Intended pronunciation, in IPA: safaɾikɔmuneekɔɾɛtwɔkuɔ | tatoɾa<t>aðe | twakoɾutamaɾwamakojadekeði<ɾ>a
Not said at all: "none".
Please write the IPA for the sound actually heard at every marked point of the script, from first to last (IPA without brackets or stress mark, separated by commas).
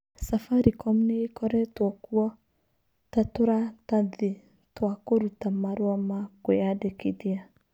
t, none